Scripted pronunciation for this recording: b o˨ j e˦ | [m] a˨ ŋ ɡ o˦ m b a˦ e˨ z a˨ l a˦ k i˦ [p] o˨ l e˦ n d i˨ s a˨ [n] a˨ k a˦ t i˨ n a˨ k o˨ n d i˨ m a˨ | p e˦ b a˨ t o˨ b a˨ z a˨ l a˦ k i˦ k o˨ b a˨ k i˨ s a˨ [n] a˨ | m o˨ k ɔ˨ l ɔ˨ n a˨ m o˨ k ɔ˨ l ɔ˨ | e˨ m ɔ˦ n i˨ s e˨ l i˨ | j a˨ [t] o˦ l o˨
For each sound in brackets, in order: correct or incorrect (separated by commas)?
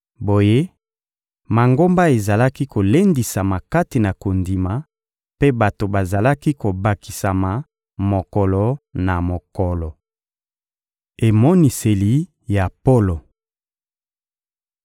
correct, incorrect, incorrect, incorrect, incorrect